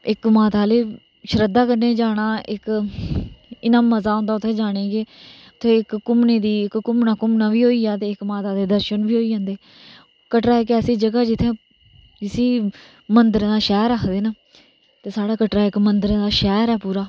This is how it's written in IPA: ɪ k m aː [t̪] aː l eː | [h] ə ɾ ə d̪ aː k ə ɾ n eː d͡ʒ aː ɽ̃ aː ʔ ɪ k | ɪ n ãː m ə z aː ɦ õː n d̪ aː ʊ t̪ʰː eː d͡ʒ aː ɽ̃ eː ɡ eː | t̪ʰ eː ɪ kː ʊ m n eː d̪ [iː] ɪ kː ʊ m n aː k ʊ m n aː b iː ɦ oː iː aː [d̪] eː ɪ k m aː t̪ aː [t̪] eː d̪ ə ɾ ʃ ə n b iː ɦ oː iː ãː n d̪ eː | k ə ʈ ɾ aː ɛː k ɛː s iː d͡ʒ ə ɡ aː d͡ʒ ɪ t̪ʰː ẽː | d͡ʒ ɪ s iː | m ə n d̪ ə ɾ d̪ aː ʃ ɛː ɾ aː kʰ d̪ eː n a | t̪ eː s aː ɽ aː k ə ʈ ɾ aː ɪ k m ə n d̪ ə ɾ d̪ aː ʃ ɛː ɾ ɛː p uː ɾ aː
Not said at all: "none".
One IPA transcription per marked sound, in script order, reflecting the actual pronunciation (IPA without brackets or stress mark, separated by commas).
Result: t̪, ʃ, iː, t̪, d̪